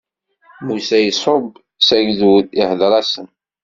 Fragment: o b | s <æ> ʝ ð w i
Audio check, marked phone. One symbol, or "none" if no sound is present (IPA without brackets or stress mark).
æ